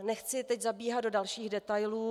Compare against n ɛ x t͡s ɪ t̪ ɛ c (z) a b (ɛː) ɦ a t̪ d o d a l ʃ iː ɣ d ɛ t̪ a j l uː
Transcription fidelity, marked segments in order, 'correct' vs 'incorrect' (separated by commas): correct, incorrect